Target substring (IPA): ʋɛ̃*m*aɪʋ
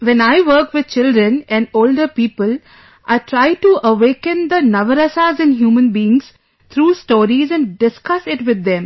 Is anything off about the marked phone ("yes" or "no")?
yes